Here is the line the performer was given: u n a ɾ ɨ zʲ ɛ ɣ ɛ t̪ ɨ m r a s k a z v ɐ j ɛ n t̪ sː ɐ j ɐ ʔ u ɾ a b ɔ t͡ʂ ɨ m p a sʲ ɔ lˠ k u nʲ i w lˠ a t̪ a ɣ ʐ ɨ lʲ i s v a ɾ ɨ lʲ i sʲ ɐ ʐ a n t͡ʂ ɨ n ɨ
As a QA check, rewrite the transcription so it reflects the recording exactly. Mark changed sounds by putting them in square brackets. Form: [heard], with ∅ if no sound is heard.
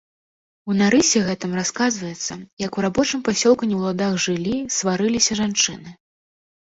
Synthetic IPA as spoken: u n a ɾ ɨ [sʲ] ɛ ɣ ɛ t̪ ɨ m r a s k a z v ɐ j ɛ [∅] t̪ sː ɐ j ɐ [k] u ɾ a b ɔ t͡ʂ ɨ m p a sʲ ɔ lˠ k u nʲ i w lˠ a [d̪] a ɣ ʐ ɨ lʲ i s v a ɾ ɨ lʲ i sʲ ɐ ʐ a n t͡ʂ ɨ n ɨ